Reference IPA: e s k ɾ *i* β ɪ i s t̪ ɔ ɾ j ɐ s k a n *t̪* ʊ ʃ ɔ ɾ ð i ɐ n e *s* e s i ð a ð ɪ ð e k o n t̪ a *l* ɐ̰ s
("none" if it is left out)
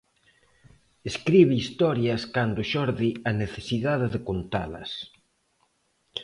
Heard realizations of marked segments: i, d̪, θ, l

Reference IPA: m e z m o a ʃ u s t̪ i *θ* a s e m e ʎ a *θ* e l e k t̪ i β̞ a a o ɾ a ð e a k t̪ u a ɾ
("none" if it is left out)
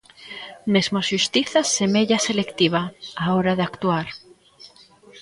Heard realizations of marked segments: θ, s

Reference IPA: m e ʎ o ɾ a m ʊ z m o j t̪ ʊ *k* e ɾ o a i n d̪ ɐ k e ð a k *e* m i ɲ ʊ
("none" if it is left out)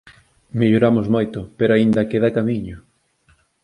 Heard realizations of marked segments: p, a

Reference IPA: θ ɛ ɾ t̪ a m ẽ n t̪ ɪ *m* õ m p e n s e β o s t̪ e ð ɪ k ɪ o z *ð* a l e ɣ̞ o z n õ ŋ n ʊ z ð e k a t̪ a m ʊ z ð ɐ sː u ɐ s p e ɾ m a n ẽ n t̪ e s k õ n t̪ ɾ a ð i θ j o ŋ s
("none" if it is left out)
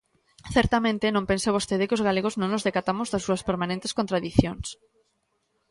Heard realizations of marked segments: n, ɣ

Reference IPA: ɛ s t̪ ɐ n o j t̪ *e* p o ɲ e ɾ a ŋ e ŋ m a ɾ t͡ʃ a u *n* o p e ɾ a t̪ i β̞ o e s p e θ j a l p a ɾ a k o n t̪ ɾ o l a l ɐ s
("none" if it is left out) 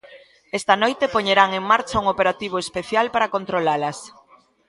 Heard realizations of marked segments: e, ŋ

